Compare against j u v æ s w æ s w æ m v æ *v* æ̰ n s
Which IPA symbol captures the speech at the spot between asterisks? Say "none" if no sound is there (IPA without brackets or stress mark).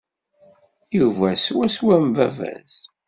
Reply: v